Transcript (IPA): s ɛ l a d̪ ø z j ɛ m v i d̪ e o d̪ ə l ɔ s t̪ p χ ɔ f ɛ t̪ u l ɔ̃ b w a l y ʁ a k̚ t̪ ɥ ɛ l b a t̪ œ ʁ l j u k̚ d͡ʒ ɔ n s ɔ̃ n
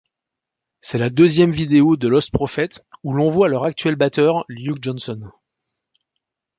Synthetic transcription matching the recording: s ɛ l a d̪ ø z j ɛ m v i d̪ e o d̪ ə l ɔ s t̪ p χ ɔ f ɛ t̪ u l ɔ̃ v w a l œ ʁ a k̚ t̪ ɥ ɛ l b a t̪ œ ʁ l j u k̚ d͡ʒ ɔ n s ɔ n